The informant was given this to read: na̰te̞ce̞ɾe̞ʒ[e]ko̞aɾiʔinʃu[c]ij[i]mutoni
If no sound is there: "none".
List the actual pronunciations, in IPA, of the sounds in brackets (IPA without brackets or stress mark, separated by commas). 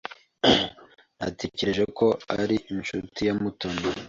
e, t, a